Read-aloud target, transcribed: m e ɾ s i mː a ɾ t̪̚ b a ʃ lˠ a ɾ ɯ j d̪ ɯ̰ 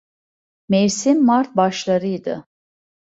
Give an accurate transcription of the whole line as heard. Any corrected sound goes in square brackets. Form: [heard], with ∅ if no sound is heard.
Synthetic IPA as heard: m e ɾ s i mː a ɾ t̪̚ b a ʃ lˠ a ɾ ɯ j d̪ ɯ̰